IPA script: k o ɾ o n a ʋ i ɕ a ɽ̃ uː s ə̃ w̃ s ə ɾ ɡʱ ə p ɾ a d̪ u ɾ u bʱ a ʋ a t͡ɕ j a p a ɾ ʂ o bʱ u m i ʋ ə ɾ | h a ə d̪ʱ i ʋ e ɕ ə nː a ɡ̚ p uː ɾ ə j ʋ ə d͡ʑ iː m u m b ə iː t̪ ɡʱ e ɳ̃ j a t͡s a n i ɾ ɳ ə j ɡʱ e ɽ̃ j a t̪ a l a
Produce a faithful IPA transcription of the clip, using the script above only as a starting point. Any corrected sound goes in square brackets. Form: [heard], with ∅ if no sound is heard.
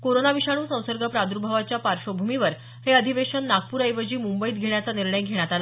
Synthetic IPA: k o ɾ o n a ʋ i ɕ a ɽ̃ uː s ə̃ w̃ s ə ɾ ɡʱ ə p ɾ a d̪ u ɾ u bʱ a ʋ a t͡ɕ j a p a ɾ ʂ o bʱ u m i ʋ ə ɾ | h [e] ə d̪ʱ i ʋ e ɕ ə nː a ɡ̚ p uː ɾ ə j ʋ ə d͡ʑ iː m u m b ə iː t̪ ɡʱ e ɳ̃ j a t͡s a n i ɾ ɳ ə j ɡʱ e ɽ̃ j a t̪ a l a

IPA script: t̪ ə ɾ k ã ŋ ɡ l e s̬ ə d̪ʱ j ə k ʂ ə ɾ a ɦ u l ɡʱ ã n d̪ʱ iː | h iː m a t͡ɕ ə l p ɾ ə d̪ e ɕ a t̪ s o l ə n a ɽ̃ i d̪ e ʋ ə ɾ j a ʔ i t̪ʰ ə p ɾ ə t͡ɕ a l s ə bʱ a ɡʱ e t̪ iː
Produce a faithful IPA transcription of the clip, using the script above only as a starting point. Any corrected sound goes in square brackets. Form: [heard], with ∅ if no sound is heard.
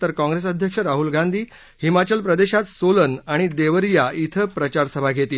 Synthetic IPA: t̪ ə ɾ k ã ŋ ɡ [ɾ] e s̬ ə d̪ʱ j ə k ʂ ə ɾ a ɦ u l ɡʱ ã n d̪ʱ iː | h [i] m a t͡ɕ ə l p ɾ ə d̪ e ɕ a t̪ s o l ə n a ɽ̃ i d̪ e ʋ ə ɾ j a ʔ i t̪ʰ ə p ɾ ə t͡ɕ a [ɾ] s ə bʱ a ɡʱ e t̪ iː

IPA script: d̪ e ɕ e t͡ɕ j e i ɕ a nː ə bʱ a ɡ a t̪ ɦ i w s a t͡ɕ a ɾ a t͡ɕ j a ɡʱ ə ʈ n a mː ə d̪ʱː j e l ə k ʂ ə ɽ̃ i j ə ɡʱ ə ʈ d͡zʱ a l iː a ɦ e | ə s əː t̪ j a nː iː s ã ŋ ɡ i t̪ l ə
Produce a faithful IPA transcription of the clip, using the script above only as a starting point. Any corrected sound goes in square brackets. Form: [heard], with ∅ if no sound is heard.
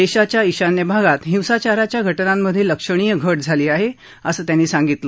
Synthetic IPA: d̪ e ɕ [a] t͡ɕ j [a] i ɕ a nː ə bʱ a ɡ a t̪ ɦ i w s a t͡ɕ a ɾ a t͡ɕ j a ɡʱ ə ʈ n a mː ə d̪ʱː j e l ə k ʂ ə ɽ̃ i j ə ɡʱ ə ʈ d͡zʱ a l iː a ɦ e | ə s əː t̪ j a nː iː s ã ŋ ɡ i t̪ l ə

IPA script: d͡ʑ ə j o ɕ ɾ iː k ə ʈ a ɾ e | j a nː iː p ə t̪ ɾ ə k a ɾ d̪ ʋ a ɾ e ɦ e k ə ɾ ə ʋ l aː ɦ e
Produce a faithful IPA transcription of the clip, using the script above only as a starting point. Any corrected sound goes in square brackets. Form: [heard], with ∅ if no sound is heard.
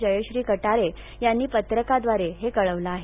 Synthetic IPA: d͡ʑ ə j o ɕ ɾ iː k ə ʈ a ɾ e | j a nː iː p ə t̪ ɾ ə k a [∅] d̪ ʋ a ɾ e ɦ e k ə [ɭ] ə ʋ l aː ɦ e

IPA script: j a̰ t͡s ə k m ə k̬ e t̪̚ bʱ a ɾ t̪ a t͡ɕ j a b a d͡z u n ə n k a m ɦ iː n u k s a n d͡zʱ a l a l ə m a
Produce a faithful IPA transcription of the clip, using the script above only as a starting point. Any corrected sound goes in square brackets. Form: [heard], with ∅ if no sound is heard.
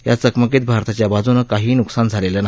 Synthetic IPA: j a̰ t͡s ə k m ə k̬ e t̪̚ bʱ a ɾ t̪ a t͡ɕ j a b a d͡z u n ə [∅] k a [∅] ɦ iː n u k s a n d͡zʱ a l [e] l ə [n] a

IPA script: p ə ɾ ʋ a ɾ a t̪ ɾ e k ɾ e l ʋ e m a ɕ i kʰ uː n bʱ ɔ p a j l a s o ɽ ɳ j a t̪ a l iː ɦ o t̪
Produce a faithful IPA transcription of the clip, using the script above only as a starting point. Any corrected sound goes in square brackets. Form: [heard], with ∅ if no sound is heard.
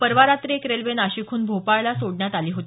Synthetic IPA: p ə ɾ ʋ a ɾ a t̪ ɾ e k ɾ e l ʋ e [n] a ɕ i kʰ uː n bʱ [o] p a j l a s o ɽ ɳ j a t̪ a l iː ɦ o t̪

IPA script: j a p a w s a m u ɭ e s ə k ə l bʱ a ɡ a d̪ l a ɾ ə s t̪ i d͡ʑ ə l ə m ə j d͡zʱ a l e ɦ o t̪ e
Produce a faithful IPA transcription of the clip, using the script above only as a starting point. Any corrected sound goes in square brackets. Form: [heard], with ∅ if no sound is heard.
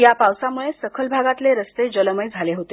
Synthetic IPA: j a p a w s a m u ɭ e s ə [kʰ] ə l bʱ a ɡ a [t̪] l [e] ɾ ə s t̪ [e] d͡ʑ ə l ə m ə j d͡zʱ a l e ɦ o t̪ e

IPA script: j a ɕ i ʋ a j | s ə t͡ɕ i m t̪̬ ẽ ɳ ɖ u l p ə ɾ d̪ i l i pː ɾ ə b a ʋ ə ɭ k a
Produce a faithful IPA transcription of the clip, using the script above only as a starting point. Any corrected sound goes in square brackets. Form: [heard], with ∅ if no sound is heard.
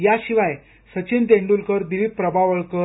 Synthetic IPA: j a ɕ i ʋ a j | s ə t͡ɕ i [n] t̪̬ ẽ ɳ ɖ u l [k] ə ɾ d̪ i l i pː ɾ ə b a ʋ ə ɭ k [ə]

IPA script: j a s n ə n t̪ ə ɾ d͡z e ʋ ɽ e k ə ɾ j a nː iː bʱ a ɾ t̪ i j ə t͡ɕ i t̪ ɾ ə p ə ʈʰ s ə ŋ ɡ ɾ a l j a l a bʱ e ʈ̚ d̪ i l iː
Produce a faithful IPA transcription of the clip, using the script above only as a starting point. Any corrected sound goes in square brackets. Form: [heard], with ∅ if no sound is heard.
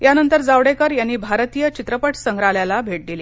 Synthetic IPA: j a [∅] n ə n t̪ ə ɾ d͡z [a] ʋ ɽ e k ə ɾ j a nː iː bʱ a ɾ t̪ i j ə t͡ɕ i t̪ ɾ ə p ə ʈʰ s ə ŋ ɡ ɾ a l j a l a bʱ e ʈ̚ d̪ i l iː

